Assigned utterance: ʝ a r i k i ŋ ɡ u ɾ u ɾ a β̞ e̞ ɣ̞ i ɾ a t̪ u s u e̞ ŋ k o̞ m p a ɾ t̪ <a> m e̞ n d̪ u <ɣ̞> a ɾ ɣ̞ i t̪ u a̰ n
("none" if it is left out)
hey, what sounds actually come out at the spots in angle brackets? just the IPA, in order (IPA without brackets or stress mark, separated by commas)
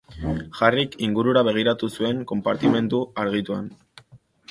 i, none